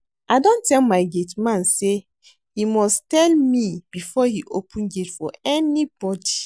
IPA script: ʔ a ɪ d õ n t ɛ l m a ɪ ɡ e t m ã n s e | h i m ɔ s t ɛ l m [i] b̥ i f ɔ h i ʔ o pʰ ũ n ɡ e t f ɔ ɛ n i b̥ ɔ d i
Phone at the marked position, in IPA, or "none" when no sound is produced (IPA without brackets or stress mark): i